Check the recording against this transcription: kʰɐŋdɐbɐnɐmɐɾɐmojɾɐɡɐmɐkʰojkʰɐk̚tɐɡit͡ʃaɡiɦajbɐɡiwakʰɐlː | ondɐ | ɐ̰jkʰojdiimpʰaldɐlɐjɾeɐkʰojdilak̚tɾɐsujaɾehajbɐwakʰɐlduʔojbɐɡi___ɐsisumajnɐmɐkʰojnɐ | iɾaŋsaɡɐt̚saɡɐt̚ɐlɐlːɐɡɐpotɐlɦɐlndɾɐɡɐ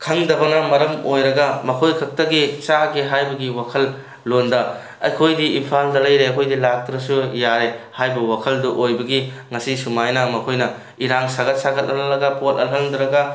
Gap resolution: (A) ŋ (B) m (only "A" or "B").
A